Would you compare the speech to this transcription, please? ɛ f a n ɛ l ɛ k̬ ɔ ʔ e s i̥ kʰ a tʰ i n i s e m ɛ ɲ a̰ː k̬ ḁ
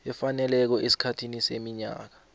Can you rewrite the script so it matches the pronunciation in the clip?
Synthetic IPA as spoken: ɛ f a n ɛ l ɛ k̬ ɔ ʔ e s i̥ kʰ a tʰ i n i s e m i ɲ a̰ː k̬ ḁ